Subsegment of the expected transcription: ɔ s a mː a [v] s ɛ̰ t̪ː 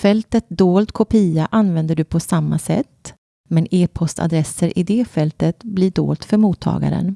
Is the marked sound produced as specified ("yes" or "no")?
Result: no